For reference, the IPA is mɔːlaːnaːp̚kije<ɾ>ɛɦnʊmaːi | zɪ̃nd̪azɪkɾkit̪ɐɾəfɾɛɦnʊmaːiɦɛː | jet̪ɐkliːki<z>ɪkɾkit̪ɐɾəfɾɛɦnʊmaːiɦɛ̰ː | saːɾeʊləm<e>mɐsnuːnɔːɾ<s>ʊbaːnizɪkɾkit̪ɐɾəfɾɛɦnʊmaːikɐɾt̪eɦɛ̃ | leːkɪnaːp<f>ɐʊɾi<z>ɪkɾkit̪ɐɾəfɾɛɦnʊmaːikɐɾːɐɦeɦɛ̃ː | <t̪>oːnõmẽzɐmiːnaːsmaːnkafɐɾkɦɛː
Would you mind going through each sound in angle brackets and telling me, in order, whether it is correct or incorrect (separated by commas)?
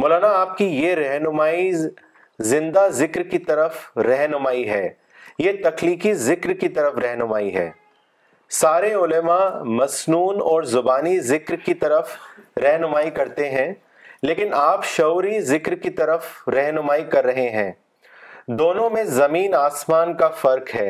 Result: correct, correct, incorrect, incorrect, incorrect, correct, incorrect